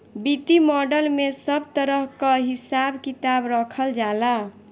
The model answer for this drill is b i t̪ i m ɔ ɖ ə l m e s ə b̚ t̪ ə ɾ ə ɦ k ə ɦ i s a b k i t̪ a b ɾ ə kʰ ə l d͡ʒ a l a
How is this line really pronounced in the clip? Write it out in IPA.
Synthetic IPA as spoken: b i t̪ i m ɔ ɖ ə l m e s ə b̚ t̪ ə ɾ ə ɦ k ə ɦ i s a b k i t̪ a b ɾ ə kʰ ə l d͡ʒ a l a